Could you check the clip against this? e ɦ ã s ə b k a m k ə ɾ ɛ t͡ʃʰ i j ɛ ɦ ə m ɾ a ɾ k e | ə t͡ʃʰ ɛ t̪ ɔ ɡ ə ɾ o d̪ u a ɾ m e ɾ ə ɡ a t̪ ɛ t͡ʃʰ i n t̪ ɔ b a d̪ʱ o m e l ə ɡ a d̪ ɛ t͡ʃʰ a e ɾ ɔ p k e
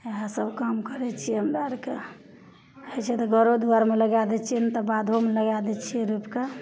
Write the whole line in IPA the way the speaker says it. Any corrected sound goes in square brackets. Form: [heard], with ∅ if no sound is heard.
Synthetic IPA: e ɦ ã s ə b k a m k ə ɾ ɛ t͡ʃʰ i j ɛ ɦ ə m ɾ a ɾ k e | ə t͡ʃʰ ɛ t̪ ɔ ɡ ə ɾ o d̪ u a ɾ m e [l] ə ɡ a [d̪] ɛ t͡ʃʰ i n t̪ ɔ b a d̪ʱ o m e l ə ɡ a d̪ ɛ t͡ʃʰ [i] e ɾ [u] p k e